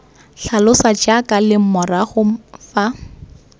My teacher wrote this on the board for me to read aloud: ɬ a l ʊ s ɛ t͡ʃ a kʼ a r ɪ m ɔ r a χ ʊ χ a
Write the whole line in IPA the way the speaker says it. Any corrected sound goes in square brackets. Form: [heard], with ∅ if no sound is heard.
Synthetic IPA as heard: ɬ a l ʊ s [a] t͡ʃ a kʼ a [l] ɪ m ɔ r a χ ʊ [f] a

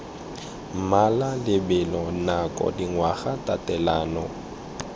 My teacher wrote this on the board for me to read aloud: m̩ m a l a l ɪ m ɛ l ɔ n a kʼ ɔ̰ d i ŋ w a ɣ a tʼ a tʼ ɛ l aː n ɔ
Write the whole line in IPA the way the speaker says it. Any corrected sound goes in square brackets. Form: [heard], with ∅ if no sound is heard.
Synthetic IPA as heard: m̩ m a l a l ɪ [b] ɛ l ɔ n a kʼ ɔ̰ d i ŋ w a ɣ a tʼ a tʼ ɛ l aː n ɔ

